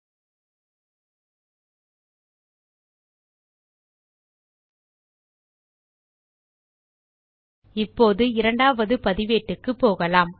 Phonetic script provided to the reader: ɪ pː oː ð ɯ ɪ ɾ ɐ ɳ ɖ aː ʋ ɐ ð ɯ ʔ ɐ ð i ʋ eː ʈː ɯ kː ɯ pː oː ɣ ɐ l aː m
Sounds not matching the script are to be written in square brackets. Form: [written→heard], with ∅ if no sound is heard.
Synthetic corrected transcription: ɪ pː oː ð ɯ ɪ ɾ ɐ ɳ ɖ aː ʋ ɐ ð ɯ [ʔ→p] ɐ ð [i→ɪ] ʋ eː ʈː ɯ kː ɯ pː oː ɣ ɐ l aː m